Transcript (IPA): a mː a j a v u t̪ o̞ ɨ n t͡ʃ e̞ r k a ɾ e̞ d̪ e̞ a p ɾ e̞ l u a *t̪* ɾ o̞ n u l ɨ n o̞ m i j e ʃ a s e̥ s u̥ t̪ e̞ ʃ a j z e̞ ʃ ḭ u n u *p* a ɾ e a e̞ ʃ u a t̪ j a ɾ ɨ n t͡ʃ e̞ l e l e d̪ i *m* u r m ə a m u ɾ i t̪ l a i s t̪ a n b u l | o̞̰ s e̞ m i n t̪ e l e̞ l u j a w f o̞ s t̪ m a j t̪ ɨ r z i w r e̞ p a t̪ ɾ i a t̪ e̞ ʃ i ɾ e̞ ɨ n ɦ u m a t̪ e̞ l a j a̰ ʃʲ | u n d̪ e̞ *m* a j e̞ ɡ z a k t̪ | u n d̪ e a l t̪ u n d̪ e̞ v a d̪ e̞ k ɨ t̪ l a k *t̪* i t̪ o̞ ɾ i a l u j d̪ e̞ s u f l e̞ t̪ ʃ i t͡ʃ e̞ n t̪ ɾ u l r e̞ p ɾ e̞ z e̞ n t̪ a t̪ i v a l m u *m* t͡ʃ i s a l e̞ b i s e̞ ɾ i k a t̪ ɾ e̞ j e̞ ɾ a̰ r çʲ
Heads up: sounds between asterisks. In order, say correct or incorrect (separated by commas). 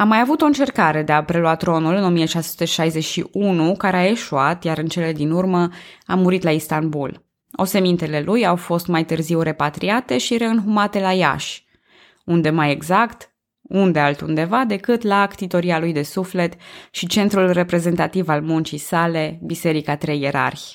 correct, incorrect, incorrect, correct, correct, incorrect